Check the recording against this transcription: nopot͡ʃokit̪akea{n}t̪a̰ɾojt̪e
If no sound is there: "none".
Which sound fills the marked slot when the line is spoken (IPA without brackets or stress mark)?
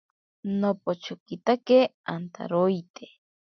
n